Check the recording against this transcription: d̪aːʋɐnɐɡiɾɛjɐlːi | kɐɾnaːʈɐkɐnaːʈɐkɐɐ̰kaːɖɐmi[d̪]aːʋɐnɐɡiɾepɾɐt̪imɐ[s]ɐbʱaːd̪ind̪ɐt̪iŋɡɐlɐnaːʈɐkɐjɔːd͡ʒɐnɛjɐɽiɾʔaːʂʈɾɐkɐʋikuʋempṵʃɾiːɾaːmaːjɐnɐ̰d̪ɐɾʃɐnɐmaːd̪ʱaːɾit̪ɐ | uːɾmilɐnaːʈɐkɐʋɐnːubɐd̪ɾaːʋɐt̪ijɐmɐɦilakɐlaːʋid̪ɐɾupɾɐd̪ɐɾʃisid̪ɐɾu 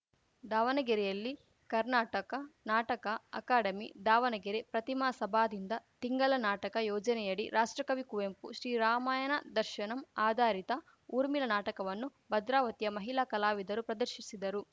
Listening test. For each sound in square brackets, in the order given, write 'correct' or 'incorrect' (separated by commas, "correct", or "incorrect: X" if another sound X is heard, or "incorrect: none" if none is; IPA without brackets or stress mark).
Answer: correct, correct